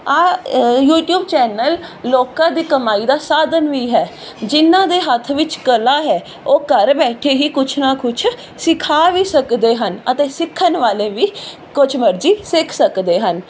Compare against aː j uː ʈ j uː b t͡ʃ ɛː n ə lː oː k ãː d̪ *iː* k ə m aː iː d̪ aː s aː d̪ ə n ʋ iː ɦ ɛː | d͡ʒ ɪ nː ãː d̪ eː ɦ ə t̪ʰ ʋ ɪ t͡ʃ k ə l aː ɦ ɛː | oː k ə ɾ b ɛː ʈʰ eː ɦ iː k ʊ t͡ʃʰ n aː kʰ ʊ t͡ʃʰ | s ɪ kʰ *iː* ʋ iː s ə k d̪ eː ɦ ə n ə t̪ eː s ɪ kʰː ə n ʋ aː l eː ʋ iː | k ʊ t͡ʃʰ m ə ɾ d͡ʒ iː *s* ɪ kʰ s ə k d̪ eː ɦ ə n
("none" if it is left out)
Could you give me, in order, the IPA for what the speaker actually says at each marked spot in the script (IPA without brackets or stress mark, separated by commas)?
iː, aː, s